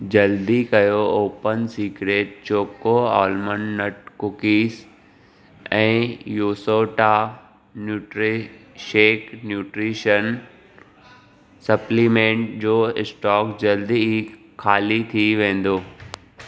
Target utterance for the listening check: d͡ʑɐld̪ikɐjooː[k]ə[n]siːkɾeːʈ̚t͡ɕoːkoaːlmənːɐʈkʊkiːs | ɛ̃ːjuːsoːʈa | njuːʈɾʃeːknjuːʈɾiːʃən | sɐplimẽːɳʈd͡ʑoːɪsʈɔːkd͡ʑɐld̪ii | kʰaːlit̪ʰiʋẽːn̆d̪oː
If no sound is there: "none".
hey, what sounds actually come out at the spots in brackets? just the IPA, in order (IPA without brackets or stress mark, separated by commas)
p, n